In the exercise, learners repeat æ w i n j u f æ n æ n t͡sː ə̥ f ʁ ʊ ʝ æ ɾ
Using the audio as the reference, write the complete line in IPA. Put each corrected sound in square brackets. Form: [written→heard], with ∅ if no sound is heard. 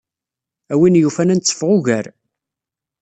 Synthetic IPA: æ w i n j u f æ n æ n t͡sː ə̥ f ʁ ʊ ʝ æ ɾ